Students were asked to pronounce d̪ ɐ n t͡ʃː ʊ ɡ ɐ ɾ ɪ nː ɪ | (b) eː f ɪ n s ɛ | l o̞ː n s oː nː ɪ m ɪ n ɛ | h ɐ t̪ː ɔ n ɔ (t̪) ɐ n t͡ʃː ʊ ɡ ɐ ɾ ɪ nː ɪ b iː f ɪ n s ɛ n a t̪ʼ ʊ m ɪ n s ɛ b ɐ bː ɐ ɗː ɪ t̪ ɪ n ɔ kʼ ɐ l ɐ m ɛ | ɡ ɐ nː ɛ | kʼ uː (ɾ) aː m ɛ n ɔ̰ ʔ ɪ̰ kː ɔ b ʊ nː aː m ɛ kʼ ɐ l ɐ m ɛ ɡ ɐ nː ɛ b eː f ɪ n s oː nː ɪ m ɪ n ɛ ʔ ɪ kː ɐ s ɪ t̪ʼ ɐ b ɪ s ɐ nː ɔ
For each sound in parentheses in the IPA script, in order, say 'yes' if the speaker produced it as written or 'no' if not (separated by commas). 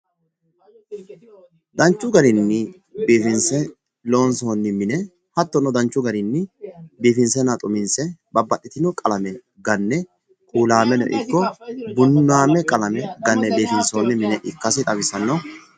yes, no, no